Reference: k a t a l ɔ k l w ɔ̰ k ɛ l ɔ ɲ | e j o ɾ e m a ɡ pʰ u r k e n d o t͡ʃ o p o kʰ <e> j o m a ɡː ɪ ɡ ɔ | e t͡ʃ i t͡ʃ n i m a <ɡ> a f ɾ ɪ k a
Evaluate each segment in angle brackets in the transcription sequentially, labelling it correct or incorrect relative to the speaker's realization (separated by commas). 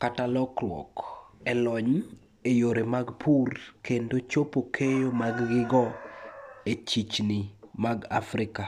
correct, correct